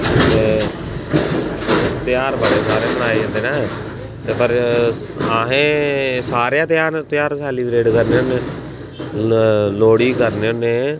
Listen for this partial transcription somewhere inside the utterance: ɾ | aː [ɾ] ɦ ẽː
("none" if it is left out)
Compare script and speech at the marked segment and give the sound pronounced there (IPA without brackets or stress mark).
none